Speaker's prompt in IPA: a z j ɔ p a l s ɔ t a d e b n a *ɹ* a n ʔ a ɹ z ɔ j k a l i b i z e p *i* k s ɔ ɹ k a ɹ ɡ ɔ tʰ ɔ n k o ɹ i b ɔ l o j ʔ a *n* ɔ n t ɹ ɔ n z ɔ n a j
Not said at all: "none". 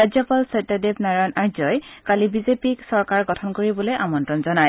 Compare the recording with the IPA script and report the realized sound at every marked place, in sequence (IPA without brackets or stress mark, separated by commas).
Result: ɹ, i, m